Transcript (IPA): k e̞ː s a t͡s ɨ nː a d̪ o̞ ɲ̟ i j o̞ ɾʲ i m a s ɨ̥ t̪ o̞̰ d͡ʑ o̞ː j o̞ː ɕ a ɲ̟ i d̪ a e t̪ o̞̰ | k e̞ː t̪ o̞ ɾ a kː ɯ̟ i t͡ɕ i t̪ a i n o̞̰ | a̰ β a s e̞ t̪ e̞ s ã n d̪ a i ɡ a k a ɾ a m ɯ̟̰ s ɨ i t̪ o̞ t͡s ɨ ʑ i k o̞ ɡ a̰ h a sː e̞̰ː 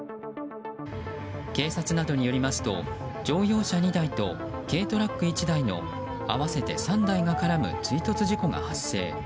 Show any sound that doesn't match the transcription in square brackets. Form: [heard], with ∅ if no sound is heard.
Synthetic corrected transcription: k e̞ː s a t͡s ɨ [n] a d̪ o̞ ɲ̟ i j o̞ ɾʲ i m a s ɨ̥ t̪ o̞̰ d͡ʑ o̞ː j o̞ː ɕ a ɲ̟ i d̪ a [i] t̪ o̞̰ | k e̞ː t̪ o̞ ɾ a kː ɯ̟ i t͡ɕ i [d̪] a i n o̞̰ | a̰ β a s e̞ t̪ e̞ s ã n d̪ a i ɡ a k a ɾ a m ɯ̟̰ [t͡s] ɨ i t̪ o̞ t͡s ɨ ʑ i k o̞ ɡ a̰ h a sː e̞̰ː